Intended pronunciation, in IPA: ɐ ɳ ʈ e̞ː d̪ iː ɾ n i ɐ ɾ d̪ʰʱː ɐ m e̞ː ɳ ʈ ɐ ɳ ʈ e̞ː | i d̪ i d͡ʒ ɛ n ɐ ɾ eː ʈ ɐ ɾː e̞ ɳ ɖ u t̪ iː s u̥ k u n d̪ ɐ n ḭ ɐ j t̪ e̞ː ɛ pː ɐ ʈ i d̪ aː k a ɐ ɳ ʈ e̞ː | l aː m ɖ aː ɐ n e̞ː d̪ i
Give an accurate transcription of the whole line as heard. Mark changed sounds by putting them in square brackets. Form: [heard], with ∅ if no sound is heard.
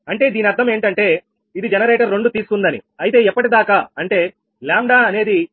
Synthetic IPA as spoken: ɐ ɳ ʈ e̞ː d̪ iː [∅] n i ɐ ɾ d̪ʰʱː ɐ m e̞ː ɳ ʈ ɐ ɳ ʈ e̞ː | i d̪ i d͡ʒ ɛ n ɐ ɾ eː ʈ ɐ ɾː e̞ ɳ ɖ u t̪ iː s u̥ k u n d̪ ɐ n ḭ ɐ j t̪ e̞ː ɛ pː ɐ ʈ i d̪ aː k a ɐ ɳ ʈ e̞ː | l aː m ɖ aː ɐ n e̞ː d̪ i